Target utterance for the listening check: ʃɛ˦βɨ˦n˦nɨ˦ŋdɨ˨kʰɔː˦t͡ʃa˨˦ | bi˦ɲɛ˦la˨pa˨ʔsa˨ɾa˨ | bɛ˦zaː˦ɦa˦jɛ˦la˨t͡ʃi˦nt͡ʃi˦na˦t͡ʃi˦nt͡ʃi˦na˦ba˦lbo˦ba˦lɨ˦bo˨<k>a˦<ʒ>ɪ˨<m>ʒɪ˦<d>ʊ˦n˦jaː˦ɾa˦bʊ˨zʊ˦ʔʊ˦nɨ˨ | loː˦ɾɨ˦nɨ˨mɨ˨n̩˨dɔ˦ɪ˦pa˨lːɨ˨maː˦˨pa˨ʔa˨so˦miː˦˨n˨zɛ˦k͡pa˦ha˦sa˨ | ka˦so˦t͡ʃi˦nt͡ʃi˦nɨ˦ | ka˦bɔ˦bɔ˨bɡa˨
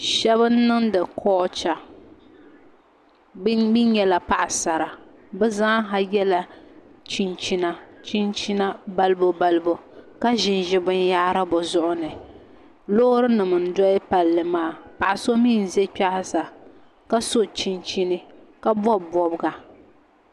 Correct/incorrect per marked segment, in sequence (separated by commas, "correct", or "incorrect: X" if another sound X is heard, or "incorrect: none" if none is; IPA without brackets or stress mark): correct, correct, incorrect: n, incorrect: b